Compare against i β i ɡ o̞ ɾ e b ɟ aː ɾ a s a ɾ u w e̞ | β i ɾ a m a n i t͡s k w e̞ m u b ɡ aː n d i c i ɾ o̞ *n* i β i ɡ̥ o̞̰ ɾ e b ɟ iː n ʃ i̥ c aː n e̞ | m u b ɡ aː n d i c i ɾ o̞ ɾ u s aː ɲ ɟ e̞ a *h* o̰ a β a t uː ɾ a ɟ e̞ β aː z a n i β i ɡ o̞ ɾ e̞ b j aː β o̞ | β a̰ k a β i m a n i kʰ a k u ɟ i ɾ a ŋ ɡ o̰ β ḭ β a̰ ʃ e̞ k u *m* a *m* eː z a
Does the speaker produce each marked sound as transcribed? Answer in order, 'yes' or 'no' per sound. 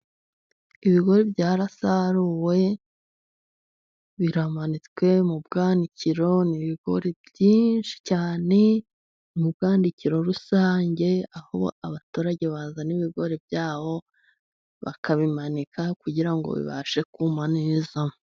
yes, yes, yes, no

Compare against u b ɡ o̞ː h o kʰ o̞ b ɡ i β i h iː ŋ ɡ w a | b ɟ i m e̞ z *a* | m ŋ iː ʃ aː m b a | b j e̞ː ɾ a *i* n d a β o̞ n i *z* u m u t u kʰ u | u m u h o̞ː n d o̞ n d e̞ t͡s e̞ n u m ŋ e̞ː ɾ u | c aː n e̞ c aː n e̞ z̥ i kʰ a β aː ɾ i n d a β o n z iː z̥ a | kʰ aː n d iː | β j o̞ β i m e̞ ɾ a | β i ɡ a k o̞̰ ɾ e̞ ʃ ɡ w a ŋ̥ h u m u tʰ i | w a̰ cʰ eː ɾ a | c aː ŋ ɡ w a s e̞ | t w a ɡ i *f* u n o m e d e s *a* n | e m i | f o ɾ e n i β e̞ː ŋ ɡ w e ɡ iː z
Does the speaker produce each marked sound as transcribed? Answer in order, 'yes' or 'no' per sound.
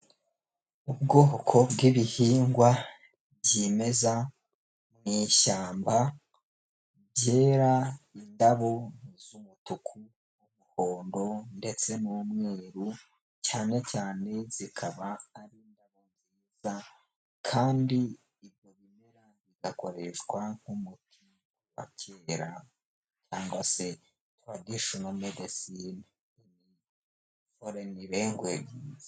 yes, yes, yes, no, no

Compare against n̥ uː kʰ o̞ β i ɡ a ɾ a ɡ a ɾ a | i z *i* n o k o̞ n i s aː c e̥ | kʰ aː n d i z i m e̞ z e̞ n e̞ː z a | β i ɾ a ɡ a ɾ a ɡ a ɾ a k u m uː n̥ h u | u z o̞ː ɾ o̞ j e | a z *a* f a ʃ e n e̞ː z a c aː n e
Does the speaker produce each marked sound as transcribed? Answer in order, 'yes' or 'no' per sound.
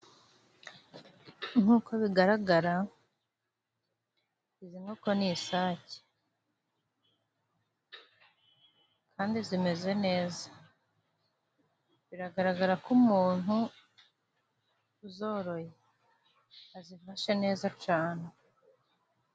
yes, no

